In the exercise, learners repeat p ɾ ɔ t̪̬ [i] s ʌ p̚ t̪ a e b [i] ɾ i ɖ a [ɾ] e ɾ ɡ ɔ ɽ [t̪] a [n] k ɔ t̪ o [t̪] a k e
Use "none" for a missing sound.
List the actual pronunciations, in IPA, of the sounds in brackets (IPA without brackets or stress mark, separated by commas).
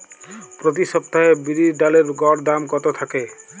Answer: i, i, l, d̪, m, t̪ʰ